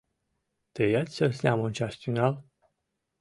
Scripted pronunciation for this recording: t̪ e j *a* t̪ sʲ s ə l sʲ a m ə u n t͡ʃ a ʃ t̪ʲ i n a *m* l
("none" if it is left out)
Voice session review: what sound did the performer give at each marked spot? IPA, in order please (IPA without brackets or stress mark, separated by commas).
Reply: a, none